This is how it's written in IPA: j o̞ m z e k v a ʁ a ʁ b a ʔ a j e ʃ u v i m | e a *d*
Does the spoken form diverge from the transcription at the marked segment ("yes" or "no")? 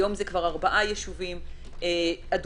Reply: no